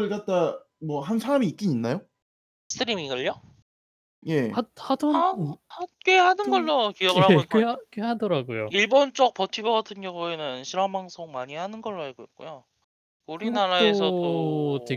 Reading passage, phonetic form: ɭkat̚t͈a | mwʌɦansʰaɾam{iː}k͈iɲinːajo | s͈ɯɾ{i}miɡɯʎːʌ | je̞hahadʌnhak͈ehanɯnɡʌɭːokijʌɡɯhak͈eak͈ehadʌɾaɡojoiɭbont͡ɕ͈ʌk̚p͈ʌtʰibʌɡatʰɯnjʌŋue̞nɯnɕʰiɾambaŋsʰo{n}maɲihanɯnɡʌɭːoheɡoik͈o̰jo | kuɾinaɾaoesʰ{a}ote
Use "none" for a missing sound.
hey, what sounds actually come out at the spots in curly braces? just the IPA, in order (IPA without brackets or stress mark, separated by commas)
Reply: iː, i, ŋ, ʌ